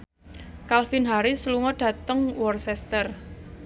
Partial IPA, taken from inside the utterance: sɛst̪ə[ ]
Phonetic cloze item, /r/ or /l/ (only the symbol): r